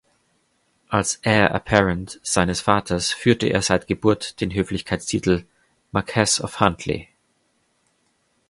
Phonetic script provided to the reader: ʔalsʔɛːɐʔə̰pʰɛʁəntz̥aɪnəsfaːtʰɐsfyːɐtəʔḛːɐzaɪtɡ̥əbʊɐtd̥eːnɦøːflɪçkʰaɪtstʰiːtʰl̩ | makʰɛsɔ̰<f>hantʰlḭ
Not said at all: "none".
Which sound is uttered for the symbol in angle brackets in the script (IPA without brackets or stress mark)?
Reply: f